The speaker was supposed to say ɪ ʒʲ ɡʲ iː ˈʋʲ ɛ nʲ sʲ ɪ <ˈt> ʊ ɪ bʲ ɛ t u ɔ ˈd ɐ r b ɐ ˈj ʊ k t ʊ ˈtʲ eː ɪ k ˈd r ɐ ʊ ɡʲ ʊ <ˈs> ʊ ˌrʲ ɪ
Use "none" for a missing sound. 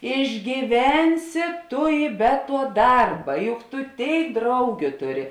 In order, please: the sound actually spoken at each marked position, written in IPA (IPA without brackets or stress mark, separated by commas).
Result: t, t